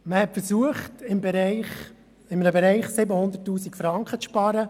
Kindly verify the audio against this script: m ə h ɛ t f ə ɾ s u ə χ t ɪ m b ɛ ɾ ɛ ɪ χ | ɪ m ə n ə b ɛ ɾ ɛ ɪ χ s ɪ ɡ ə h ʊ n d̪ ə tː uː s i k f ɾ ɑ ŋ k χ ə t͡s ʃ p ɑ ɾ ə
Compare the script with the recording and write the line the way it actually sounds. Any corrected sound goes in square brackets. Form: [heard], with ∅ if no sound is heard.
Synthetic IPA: m ə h ɛ t f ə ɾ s u ə χ t ɪ m b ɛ ɾ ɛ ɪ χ | ɪ m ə n ə b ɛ ɾ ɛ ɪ χ s ɪ [b] ə h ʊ n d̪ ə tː uː s i k f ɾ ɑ ŋ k χ ə t͡s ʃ p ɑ ɾ ə